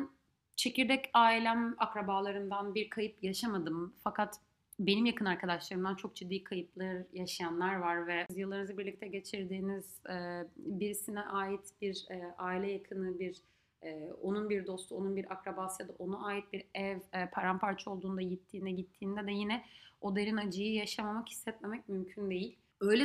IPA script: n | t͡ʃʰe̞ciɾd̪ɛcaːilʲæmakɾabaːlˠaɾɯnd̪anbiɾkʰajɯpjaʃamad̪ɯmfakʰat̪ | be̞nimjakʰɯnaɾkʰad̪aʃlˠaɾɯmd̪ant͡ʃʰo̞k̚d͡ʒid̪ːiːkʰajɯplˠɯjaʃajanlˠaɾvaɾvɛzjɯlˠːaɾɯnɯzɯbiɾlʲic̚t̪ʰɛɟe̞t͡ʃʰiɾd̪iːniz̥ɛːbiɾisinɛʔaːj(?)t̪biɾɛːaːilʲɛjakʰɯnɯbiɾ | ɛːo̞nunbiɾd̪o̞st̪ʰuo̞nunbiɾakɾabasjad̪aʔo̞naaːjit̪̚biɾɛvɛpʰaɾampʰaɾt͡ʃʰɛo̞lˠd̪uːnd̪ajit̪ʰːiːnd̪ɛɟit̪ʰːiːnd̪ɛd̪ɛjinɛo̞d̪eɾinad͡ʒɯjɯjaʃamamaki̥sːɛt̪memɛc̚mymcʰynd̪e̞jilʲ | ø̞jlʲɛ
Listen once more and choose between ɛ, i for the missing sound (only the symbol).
i